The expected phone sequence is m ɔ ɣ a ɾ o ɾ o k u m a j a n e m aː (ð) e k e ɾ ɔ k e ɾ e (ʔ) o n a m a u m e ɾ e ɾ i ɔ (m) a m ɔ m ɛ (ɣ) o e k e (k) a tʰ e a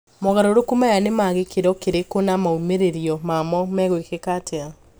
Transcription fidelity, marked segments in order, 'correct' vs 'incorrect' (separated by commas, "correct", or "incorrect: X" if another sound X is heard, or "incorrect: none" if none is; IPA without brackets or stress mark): incorrect: ɣ, incorrect: k, correct, correct, correct